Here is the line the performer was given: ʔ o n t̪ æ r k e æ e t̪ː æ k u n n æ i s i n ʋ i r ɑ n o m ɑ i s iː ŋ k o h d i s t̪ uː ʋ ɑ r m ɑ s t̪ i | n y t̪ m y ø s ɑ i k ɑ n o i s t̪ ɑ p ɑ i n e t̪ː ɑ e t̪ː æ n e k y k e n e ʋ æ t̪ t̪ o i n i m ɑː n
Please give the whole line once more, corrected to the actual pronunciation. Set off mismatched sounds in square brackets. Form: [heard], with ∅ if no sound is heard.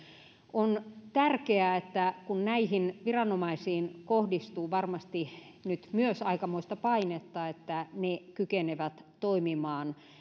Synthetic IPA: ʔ o n t̪ æ r k e æ e t̪ː æ k u n n æ i [h] i n ʋ i r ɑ n o m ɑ i s iː [n] k o h d i s t̪ uː ʋ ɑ r m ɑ s t̪ i | n y t̪ m y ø s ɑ i k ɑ [m] o i s t̪ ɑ p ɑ i n e t̪ː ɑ e t̪ː æ n e k y k e n e ʋ æ t̪ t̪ o i [m] i m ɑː n